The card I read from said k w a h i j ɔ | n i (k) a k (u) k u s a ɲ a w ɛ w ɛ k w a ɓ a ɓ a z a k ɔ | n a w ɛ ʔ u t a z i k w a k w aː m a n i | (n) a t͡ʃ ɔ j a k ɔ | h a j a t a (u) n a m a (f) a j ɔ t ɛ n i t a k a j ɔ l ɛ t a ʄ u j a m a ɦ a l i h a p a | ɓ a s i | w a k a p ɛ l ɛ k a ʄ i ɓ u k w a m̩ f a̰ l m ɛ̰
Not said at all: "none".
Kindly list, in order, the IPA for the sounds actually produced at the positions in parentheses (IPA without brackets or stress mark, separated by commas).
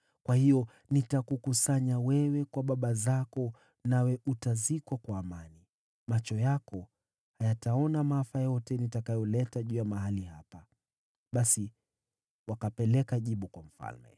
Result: t, u, m, ɔ, f